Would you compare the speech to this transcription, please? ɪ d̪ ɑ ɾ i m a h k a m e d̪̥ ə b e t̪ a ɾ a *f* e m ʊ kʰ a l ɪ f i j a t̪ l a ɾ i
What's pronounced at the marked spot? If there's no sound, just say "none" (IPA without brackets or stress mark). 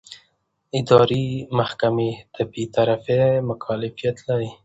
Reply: f